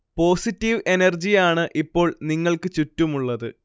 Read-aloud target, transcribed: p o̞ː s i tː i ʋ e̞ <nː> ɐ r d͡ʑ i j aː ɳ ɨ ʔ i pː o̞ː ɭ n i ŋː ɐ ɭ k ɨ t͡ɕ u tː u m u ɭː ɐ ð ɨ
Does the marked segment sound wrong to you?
yes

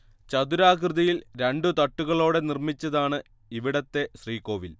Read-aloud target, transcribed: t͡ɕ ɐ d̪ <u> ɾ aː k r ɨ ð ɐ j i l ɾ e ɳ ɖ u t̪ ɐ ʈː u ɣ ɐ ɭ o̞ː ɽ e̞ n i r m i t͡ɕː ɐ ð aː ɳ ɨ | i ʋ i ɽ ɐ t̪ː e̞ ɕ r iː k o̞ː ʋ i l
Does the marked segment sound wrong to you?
no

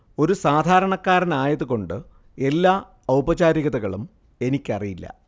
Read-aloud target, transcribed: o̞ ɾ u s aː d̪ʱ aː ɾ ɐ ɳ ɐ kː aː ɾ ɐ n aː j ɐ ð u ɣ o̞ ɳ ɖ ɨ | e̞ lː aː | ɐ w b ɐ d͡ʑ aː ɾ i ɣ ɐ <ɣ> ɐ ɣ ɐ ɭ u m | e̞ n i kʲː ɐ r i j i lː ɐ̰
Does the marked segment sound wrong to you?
yes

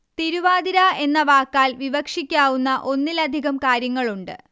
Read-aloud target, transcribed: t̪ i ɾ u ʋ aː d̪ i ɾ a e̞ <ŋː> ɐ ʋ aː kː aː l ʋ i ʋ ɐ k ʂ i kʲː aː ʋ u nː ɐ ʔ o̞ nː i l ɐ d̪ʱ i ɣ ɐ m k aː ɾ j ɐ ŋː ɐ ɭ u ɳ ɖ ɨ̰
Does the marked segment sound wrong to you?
yes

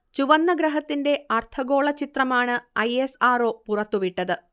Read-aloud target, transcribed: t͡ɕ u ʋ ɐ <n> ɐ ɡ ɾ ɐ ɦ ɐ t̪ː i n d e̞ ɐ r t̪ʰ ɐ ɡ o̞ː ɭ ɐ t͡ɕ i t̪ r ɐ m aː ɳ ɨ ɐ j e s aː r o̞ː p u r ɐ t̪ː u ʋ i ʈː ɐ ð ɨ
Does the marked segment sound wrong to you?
yes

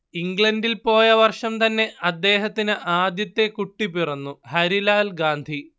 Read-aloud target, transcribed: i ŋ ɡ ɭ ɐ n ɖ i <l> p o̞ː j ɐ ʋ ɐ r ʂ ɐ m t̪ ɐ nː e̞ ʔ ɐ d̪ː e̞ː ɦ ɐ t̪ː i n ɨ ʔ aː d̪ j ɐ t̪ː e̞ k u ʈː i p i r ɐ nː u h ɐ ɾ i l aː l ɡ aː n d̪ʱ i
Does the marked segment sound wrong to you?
no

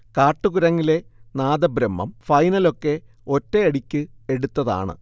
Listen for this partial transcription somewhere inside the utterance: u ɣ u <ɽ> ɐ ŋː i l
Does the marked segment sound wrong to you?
yes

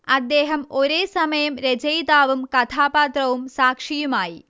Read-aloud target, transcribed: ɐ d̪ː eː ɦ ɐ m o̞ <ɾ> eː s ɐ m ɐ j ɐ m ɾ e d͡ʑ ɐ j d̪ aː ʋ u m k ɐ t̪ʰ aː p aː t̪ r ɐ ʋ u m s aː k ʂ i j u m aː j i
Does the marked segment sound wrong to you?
no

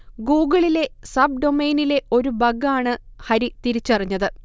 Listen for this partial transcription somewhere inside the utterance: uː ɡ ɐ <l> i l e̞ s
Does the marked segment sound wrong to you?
yes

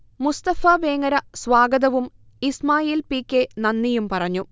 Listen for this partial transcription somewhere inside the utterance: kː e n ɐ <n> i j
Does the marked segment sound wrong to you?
yes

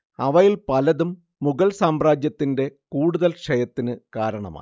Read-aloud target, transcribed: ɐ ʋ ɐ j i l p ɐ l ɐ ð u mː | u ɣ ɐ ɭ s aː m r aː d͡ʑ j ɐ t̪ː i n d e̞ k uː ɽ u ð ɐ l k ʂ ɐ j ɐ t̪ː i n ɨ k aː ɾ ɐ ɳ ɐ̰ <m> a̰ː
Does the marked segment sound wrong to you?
no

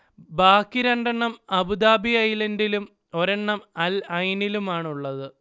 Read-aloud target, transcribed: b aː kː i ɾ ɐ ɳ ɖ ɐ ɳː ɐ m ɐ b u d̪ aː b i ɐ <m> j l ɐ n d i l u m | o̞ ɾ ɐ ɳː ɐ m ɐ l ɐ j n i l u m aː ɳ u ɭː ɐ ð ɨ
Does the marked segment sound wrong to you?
yes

